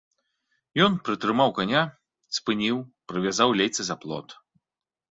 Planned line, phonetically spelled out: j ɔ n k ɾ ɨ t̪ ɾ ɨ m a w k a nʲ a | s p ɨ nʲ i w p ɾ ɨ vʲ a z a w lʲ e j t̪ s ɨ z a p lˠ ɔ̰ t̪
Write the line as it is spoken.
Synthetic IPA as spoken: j ɔ n p ɾ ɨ t̪ ɾ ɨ m a w k a nʲ a | s p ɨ nʲ i w p ɾ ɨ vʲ a z a w lʲ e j t̪ s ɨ z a p lˠ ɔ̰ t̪